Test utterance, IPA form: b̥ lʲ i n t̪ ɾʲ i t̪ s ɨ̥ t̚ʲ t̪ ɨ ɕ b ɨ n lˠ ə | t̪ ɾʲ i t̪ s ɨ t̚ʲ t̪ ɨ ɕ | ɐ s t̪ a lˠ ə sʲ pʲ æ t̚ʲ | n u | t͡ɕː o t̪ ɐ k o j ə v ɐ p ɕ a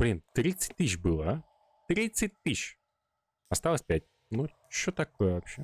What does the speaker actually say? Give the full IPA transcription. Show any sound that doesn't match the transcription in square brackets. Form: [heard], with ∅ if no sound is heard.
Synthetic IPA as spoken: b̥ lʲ i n t̪ ɾʲ i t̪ s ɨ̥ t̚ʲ t̪ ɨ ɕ b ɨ [∅] lˠ ə | t̪ ɾʲ i t̪ s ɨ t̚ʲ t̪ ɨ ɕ | ɐ s t̪ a lˠ ə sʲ pʲ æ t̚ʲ | n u | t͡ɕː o t̪ ɐ k o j ə v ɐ p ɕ [e]